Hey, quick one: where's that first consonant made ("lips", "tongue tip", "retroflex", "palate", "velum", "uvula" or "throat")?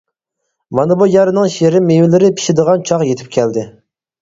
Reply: lips